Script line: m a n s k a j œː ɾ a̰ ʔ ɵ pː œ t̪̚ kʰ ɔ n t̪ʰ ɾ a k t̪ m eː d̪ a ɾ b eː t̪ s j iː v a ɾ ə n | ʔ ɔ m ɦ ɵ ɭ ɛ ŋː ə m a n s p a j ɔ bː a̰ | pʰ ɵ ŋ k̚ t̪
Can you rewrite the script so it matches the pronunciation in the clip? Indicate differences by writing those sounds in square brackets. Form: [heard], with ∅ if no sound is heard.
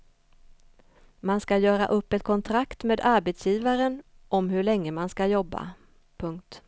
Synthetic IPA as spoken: m a n s k a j œː ɾ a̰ ʔ ɵ pː [ɛ] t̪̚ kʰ ɔ n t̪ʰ ɾ a k t̪ m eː d̪ a ɾ b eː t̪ s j iː v a ɾ ə n | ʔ ɔ m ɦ ɵ ɭ ɛ ŋː ə m a n s [k] a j ɔ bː a̰ | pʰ ɵ ŋ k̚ t̪